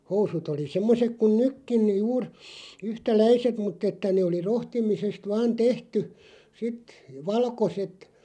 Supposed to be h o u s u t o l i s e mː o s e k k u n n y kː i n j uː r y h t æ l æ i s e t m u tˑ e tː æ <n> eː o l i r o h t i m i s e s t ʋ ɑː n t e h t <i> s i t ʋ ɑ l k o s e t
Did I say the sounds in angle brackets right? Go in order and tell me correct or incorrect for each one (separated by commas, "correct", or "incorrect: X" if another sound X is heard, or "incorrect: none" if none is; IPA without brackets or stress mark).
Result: correct, incorrect: y